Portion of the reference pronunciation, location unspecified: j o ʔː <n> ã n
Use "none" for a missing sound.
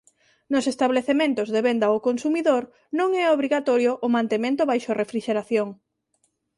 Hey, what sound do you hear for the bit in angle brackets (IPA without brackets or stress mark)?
m